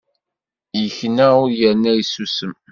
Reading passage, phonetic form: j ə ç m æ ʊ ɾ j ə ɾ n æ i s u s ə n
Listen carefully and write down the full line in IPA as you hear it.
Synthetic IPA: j ə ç n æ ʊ ɾ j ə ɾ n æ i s u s ə m